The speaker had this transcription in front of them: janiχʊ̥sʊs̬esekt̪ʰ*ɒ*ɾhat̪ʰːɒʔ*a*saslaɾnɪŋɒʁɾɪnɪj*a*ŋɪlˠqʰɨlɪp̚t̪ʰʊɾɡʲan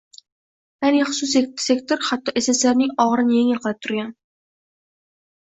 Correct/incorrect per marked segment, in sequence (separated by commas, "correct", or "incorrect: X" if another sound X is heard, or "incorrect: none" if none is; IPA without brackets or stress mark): incorrect: o, incorrect: e, incorrect: e